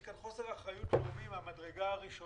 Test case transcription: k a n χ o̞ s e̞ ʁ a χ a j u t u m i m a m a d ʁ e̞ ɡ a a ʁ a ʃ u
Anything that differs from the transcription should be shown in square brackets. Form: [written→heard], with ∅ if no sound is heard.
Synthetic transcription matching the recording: k a n χ o̞ s e̞ ʁ a χ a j u t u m i m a m a d ʁ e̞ ɡ a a ʁ [a→i] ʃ [u→o]